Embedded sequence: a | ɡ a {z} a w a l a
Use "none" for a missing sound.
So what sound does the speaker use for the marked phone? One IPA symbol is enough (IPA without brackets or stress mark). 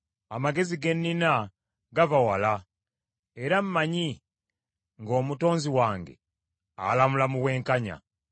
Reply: v